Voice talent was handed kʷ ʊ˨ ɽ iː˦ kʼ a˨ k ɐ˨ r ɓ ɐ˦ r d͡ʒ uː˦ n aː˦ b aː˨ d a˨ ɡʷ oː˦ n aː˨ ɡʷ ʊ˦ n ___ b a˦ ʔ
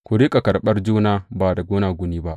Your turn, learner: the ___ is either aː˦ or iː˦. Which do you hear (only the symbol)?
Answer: iː˦